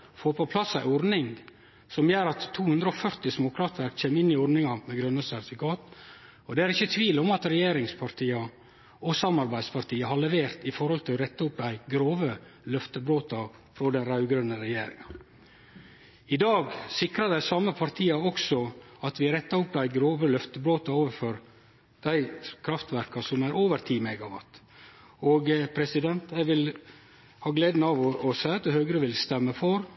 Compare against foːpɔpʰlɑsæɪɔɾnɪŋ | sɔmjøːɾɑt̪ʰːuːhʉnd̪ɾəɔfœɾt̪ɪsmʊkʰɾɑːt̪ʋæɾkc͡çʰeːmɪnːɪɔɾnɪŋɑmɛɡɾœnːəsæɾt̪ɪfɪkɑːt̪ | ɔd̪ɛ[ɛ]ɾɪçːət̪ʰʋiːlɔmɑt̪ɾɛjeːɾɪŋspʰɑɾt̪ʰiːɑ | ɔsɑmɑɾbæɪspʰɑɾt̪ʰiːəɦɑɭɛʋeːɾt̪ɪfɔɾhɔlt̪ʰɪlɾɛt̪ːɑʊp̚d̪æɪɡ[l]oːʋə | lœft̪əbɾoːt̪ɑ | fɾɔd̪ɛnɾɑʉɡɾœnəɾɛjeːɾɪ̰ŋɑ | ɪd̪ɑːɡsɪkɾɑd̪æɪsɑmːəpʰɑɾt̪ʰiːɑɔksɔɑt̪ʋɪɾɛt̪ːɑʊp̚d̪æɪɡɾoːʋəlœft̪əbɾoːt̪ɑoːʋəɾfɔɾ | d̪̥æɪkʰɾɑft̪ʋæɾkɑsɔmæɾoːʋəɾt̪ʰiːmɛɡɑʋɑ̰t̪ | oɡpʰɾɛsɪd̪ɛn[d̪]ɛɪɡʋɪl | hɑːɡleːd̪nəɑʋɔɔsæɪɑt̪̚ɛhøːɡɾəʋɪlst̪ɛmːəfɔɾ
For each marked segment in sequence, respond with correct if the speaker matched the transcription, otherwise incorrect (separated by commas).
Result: incorrect, incorrect, incorrect